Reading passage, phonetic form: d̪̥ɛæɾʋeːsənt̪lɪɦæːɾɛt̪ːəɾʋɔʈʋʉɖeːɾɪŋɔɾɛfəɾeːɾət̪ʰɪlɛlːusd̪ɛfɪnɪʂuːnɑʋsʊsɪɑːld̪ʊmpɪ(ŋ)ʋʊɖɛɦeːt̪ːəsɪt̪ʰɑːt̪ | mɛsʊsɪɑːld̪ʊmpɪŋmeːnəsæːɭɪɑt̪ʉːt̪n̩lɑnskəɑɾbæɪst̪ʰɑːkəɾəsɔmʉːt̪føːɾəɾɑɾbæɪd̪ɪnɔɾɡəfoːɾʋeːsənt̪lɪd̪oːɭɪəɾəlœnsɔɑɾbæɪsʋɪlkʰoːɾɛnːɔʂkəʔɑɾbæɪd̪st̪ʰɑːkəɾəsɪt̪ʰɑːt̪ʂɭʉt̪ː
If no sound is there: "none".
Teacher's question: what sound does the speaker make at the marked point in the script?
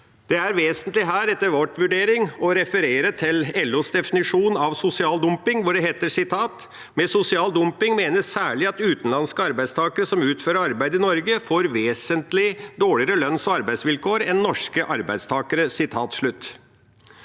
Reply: ŋ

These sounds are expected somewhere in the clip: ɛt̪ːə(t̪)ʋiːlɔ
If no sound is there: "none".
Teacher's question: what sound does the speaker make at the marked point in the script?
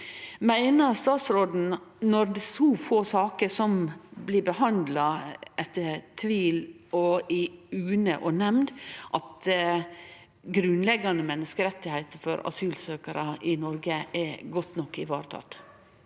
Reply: t̪ʰ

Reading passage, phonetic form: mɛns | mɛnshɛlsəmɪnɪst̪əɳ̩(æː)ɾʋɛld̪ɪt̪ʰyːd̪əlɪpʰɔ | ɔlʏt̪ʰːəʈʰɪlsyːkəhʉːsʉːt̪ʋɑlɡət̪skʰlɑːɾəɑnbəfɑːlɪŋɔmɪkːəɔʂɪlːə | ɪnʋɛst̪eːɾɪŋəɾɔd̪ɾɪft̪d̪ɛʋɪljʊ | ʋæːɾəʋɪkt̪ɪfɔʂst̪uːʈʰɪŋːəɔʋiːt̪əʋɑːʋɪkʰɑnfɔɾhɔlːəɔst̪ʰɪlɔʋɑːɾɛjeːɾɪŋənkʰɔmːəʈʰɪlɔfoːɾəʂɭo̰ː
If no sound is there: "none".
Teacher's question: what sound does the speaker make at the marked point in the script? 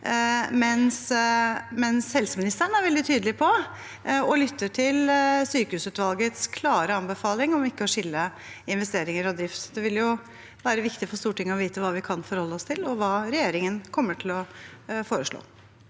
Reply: æ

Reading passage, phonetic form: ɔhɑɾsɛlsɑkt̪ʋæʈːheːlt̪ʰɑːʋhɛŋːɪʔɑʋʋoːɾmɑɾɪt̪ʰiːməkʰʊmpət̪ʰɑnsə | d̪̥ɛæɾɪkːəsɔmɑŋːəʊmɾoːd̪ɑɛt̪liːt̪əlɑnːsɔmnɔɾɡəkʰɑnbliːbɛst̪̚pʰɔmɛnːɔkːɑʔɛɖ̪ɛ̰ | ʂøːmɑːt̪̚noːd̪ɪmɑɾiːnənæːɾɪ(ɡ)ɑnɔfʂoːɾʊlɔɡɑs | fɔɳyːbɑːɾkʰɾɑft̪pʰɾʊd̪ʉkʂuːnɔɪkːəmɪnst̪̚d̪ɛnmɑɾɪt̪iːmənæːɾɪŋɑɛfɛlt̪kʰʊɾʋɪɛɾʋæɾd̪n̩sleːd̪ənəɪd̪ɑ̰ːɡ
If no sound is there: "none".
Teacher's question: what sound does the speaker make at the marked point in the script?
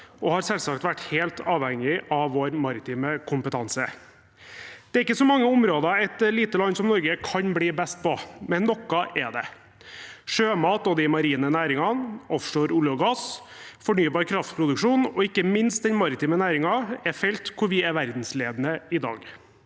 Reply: ŋ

